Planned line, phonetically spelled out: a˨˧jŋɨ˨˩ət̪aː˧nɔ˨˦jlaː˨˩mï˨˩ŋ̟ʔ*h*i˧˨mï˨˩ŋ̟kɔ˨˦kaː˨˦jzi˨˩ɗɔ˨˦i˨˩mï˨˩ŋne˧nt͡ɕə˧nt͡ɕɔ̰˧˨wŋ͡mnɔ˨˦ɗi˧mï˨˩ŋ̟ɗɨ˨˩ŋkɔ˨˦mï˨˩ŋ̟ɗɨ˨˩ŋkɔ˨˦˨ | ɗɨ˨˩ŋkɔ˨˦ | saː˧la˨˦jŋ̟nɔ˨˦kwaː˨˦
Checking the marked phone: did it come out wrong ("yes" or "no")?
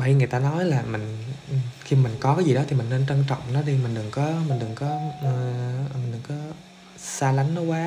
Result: yes